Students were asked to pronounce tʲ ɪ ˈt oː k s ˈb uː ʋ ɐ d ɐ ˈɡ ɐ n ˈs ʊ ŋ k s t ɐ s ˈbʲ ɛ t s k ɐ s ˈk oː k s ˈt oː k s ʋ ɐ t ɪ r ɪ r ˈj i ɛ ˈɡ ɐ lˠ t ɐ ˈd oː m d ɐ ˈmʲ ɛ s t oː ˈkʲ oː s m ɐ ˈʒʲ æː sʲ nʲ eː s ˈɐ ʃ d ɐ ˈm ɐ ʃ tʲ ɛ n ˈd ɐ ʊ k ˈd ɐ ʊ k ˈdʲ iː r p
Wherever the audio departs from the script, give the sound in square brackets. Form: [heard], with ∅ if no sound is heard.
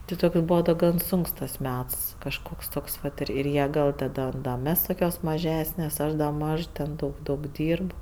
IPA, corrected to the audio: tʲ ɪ ˈt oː k s ˈb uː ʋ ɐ d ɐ ˈɡ ɐ n ˈs ʊ ŋ k s t ɐ s [ˈmʲ] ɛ t s k ɐ [ʃ] ˈk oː k s ˈt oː k s ʋ ɐ t ɪ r ɪ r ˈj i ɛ ˈɡ ɐ lˠ t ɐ ˈd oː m d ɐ ˈmʲ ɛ s t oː ˈkʲ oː s m ɐ ˈʒʲ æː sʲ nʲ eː s ˈɐ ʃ d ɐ ˈm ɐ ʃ tʲ ɛ n ˈd ɐ ʊ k ˈd ɐ ʊ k ˈdʲ iː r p

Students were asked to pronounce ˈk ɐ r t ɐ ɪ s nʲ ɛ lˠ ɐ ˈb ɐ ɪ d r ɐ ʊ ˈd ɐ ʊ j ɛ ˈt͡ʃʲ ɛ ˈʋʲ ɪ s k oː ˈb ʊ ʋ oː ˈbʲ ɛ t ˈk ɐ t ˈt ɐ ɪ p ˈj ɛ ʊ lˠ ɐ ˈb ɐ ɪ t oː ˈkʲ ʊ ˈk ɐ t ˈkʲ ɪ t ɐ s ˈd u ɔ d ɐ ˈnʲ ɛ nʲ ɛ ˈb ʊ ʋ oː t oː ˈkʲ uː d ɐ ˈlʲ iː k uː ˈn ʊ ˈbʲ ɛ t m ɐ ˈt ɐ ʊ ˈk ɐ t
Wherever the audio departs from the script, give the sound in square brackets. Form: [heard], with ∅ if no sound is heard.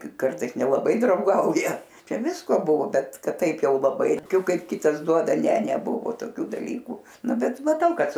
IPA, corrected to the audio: ˈk ɐ r t ɐ ɪ s nʲ ɛ lˠ ɐ ˈb ɐ ɪ d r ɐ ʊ [ˈɡ] ɐ ʊ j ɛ ˈt͡ʃʲ ɛ ˈʋʲ ɪ s k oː ˈb ʊ ʋ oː ˈbʲ ɛ t ˈk ɐ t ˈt ɐ ɪ p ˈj ɛ ʊ lˠ ɐ ˈb ɐ ɪ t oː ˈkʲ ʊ ˈk ɐ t ˈkʲ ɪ t ɐ s ˈd u ɔ d ɐ ˈnʲ ɛ nʲ ɛ ˈb ʊ ʋ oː t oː ˈkʲ uː d ɐ ˈlʲ iː k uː ˈn ʊ ˈbʲ ɛ t m ɐ ˈt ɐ ʊ ˈk ɐ t

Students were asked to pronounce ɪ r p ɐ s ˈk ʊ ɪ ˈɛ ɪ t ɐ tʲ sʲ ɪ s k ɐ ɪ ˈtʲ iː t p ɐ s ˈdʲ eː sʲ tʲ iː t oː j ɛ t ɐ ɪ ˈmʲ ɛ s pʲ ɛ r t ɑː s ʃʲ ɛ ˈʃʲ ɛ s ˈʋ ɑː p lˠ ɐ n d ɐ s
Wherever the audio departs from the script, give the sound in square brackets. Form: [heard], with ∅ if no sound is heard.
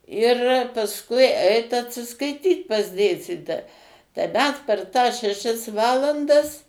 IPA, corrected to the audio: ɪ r p ɐ s ˈk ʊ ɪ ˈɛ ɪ t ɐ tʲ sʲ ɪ s k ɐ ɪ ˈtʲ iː t p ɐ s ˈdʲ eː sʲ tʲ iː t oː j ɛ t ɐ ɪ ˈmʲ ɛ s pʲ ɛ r t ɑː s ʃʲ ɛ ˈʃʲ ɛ s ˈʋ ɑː [∅] lˠ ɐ n d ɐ s

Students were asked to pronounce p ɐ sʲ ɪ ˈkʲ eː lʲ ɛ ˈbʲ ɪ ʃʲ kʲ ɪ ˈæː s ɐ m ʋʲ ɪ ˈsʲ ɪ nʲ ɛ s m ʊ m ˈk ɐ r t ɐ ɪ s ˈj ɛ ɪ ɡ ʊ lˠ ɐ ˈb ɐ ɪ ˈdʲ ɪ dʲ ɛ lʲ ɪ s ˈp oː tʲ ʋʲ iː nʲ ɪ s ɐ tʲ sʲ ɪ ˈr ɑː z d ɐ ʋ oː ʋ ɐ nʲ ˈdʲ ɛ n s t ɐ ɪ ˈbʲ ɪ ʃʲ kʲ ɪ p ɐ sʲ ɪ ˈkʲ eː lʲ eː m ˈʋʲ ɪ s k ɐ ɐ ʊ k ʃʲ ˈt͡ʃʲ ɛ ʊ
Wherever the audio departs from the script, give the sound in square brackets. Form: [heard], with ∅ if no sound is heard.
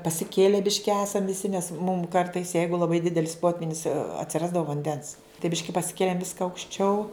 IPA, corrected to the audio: p ɐ sʲ ɪ ˈkʲ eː lʲ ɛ ˈbʲ ɪ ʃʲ kʲ ɪ ˈæː s ɐ m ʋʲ ɪ ˈsʲ ɪ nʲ ɛ s m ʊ m ˈk ɐ r t ɐ ɪ s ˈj ɛ ɪ ɡ ʊ lˠ ɐ ˈb ɐ ɪ ˈdʲ ɪ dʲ ɛ lʲ ɪ s ˈp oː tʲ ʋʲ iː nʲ ɪ s ɐ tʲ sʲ ɪ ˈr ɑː z d ɐ ʋ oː ʋ ɐ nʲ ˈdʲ ɛ n s t ɐ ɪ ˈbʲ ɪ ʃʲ kʲ ɪ p ɐ sʲ ɪ ˈkʲ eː lʲ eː m ˈʋʲ ɪ s k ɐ ɐ ʊ k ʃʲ ˈt͡ʃʲ ɛ ʊ

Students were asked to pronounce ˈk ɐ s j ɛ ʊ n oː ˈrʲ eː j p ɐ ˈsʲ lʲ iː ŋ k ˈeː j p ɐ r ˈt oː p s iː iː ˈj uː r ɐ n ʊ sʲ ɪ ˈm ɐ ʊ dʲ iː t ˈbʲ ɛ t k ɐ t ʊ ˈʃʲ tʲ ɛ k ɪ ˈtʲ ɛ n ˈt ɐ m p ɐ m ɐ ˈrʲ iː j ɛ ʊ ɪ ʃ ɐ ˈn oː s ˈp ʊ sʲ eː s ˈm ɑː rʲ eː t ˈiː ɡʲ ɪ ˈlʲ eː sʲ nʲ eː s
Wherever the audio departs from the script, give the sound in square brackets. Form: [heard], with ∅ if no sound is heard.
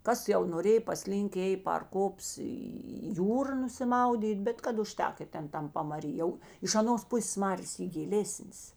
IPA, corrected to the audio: ˈk ɐ s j ɛ ʊ n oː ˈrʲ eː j p ɐ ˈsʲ lʲ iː ŋ k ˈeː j p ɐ r [ˈk] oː p s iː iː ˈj uː r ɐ n ʊ sʲ ɪ ˈm ɐ ʊ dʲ iː t ˈbʲ ɛ t k ɐ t ʊ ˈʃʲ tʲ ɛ k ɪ ˈtʲ ɛ n ˈt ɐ m p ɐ m ɐ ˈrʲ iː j ɛ ʊ ɪ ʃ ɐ ˈn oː s ˈp ʊ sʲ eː s ˈm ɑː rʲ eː [s] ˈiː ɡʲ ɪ ˈlʲ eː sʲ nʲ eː s

